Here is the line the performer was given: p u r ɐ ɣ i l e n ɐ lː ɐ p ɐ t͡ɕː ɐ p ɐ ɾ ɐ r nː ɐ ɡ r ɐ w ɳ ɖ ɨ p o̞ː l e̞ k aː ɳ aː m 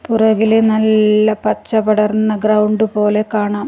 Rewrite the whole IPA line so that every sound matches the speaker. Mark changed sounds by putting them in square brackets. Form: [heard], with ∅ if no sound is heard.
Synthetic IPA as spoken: p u r ɐ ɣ i l e n ɐ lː ɐ p ɐ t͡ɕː ɐ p ɐ [ɽ] ɐ r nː ɐ ɡ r ɐ w ɳ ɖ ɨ p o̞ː l e̞ k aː ɳ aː m